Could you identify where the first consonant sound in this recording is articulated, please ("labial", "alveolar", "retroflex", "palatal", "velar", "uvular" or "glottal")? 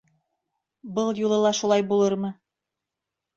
labial